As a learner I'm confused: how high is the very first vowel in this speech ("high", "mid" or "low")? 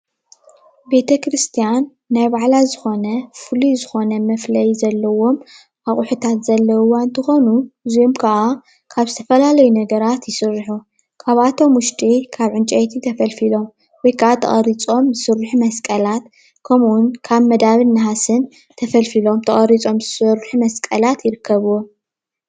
mid